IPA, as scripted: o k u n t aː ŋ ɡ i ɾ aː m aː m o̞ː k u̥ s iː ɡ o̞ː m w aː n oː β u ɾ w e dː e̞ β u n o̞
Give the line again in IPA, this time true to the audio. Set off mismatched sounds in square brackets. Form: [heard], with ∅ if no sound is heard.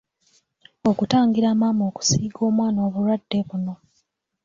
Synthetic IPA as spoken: o k u [∅] t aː ŋ ɡ i ɾ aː m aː m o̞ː k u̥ s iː ɡ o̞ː m w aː n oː β u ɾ w [a] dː e̞ β u n o̞